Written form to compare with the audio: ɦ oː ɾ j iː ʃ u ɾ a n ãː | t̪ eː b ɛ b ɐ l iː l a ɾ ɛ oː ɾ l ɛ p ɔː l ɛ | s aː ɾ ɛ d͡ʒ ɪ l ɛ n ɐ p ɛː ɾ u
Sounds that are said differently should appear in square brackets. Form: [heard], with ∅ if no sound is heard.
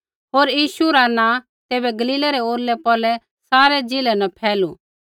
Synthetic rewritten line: ɦ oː ɾ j iː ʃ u ɾ a n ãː | t̪ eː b ɛ [ɡ] ɐ l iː l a ɾ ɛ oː ɾ l ɛ p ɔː l ɛ | s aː ɾ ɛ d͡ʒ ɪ l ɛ n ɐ [pʰ] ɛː [l] u